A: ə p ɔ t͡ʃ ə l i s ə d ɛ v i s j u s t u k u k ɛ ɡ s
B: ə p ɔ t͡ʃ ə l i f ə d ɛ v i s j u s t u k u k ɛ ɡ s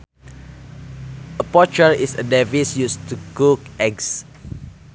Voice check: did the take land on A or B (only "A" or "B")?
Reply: A